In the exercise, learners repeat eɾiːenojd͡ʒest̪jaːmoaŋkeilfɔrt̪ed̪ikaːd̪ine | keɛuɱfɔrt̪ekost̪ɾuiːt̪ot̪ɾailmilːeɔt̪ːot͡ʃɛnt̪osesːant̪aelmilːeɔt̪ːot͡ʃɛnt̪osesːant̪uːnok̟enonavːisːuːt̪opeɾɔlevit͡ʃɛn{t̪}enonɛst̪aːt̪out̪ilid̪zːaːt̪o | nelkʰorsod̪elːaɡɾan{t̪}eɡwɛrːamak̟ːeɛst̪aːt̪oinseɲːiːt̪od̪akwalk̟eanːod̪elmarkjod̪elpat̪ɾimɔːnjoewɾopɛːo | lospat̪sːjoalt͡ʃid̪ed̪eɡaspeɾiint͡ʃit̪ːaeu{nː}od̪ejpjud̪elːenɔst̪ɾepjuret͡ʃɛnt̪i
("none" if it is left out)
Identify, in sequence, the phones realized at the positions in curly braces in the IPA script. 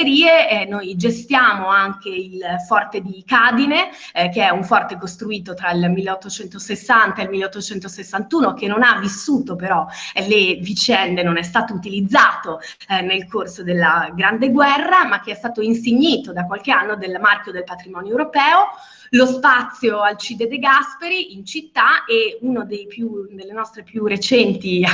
d̪, d̪, n

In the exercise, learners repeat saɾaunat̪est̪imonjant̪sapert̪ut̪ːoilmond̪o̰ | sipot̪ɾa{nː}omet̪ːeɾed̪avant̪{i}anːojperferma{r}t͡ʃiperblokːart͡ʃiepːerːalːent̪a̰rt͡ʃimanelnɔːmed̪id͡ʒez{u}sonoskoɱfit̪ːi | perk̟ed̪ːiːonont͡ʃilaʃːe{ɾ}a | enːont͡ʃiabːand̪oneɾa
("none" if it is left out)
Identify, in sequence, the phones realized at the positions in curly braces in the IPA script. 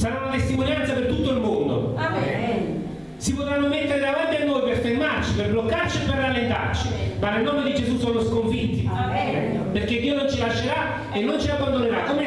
nː, i, r, u, ɾ

